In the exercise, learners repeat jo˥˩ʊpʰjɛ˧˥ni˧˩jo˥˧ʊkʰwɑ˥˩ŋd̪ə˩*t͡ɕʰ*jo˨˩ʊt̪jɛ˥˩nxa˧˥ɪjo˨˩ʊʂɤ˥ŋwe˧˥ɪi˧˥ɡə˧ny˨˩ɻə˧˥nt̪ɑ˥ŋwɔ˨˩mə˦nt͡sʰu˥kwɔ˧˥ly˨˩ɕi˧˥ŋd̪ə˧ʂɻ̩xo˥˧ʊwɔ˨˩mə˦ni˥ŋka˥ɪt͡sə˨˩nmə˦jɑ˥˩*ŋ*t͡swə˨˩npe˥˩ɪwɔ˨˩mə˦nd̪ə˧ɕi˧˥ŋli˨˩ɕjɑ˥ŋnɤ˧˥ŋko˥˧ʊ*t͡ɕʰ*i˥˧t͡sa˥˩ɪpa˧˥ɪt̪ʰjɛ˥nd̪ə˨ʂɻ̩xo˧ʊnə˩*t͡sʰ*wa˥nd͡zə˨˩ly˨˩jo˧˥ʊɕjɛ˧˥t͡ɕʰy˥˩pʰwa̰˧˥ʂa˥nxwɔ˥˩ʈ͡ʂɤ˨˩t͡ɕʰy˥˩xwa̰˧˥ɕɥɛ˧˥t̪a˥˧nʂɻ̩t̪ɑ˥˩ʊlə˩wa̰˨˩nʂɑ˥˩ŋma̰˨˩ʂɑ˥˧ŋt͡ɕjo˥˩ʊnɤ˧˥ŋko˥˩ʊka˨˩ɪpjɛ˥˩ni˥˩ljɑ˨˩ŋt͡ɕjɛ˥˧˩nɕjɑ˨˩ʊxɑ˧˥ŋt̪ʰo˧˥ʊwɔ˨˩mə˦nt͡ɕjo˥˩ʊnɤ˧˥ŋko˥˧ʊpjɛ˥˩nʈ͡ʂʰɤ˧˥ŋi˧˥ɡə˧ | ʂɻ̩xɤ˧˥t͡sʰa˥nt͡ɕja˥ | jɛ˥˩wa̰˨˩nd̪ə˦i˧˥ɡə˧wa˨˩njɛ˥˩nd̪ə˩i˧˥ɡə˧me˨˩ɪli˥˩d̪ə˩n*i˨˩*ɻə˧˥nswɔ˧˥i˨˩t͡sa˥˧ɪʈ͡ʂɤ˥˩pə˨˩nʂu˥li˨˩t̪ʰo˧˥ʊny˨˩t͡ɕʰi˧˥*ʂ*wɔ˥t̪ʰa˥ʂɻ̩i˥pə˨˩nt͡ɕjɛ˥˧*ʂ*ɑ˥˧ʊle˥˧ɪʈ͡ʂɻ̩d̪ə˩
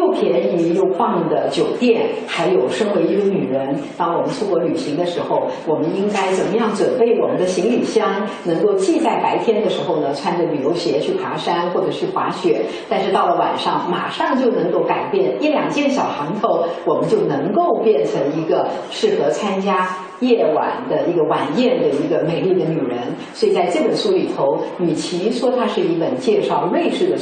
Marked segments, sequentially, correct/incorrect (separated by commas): incorrect, correct, incorrect, correct, incorrect, correct, correct